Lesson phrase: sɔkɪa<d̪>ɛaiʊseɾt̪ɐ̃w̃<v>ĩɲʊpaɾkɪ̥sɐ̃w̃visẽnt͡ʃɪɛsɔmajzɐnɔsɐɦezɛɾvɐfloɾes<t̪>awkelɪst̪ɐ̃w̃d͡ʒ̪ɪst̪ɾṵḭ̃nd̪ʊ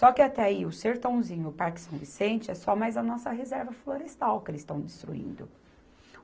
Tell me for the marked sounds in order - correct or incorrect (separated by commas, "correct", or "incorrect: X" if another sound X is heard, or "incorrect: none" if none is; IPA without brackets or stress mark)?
incorrect: t̪, incorrect: z, correct